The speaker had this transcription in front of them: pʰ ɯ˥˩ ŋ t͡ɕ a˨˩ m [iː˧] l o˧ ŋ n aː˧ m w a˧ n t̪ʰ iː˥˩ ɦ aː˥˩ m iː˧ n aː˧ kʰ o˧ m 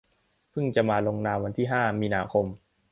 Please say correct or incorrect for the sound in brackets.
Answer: incorrect